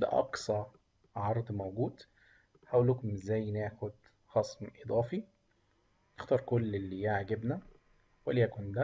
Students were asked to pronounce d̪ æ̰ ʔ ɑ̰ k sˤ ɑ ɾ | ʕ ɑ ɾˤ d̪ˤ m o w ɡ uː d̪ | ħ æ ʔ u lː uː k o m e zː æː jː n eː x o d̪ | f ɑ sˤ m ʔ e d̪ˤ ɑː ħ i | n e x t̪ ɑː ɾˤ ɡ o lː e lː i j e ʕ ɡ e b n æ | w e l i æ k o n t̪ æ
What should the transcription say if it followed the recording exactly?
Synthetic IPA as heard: d̪ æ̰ ʔ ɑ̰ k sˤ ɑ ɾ | ʕ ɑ ɾˤ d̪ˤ m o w ɡ uː d̪ | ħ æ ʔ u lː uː k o m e zː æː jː n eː x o d̪ | x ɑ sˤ m ʔ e d̪ˤ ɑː f i | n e x t̪ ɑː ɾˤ k o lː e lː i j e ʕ ɡ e b n æ | w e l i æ k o n d̪ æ